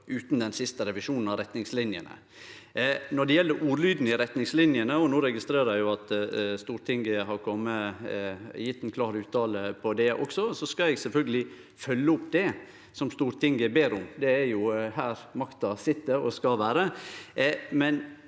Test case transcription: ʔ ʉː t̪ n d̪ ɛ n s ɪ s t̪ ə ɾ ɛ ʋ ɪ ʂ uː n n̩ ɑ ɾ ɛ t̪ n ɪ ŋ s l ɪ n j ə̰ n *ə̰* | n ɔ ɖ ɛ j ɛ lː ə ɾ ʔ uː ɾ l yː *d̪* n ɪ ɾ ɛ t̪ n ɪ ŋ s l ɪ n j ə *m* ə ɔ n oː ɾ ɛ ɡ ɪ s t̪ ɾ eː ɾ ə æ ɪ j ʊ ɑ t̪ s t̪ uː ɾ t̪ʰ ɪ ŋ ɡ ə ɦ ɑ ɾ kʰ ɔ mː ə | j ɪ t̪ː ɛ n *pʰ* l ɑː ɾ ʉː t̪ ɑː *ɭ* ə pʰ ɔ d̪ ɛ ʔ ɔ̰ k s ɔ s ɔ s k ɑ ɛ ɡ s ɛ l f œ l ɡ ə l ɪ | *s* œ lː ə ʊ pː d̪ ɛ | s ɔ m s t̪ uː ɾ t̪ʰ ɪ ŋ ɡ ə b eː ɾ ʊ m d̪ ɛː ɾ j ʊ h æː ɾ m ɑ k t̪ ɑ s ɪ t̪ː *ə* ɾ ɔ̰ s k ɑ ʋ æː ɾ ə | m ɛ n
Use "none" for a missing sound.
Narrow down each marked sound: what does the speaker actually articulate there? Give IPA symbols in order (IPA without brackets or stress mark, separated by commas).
ə̰, d̪, n, kʰ, l, f, ə